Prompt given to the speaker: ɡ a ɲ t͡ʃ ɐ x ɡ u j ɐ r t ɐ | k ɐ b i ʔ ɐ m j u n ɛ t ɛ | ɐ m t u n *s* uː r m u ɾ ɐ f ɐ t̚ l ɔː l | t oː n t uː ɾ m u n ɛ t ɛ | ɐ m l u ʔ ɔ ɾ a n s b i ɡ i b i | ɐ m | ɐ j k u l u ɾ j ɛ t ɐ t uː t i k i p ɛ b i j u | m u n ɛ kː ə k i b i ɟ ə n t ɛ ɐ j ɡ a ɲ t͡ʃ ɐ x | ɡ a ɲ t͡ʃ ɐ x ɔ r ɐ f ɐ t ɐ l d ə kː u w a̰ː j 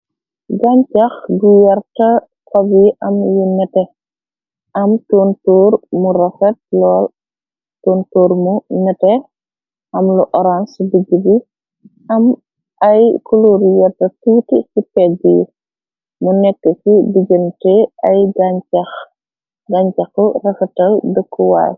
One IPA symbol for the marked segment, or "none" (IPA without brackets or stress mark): t